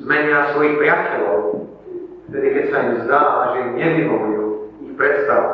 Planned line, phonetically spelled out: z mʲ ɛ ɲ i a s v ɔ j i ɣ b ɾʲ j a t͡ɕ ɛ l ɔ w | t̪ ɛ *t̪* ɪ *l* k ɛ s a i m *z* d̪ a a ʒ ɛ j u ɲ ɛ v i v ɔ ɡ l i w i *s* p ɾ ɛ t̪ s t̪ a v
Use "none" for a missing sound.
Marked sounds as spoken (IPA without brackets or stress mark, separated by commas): d̪, none, z, x